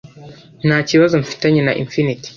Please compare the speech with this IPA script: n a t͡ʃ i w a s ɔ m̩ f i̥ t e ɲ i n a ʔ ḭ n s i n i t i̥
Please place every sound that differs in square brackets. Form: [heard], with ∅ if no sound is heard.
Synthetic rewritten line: n a t͡ʃ i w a [z] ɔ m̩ f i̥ t [a] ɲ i n a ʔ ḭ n [f] i n i t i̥